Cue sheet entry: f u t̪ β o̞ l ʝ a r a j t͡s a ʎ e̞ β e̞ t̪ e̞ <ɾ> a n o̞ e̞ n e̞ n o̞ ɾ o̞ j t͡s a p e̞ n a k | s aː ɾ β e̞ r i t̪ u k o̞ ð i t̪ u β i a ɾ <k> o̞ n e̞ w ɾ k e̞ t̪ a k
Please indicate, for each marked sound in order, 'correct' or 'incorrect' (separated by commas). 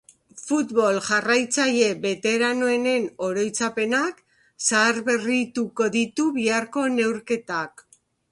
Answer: correct, correct